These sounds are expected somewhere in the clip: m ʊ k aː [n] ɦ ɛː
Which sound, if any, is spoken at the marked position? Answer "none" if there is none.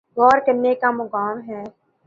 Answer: m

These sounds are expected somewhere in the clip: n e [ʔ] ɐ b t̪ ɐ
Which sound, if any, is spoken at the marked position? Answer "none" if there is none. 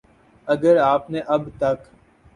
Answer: ʔ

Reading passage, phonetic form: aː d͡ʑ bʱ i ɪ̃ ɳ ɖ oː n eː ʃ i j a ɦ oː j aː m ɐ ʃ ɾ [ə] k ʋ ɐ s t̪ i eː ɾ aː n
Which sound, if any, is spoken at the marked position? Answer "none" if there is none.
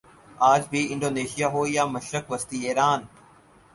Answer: ə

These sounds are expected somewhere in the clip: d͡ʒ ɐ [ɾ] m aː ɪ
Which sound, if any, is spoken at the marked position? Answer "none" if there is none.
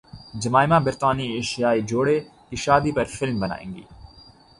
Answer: none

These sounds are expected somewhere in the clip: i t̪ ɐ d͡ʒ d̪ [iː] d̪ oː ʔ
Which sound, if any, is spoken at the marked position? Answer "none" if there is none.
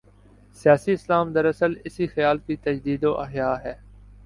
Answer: iː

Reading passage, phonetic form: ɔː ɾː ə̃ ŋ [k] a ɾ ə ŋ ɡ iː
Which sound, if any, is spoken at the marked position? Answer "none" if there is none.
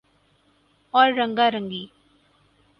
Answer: ɡ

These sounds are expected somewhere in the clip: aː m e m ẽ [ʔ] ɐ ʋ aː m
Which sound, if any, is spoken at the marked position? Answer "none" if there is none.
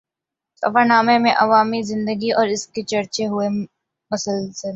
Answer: ʔ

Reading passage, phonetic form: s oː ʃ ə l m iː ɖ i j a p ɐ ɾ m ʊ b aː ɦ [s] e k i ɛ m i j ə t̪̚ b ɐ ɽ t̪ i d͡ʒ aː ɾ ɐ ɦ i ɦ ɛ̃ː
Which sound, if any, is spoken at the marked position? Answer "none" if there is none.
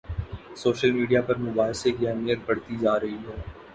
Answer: s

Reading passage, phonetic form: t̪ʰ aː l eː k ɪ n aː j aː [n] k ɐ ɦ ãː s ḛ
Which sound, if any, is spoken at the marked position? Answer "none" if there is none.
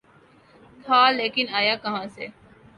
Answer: none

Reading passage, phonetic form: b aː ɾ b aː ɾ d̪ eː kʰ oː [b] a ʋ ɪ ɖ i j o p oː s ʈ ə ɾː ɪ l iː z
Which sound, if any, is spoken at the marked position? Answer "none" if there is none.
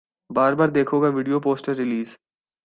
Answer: ɡ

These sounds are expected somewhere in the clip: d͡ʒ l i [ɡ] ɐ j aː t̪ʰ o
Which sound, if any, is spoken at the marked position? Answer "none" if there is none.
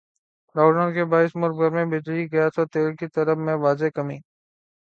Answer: ɡ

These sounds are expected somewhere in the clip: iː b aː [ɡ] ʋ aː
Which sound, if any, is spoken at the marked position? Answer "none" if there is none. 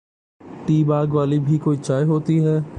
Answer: ɡ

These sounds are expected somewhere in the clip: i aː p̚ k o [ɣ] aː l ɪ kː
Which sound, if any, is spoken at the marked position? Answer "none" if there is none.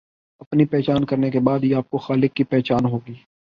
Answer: x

